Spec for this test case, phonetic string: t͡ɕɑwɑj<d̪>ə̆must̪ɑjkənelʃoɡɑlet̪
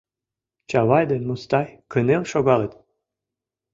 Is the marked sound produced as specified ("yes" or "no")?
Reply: yes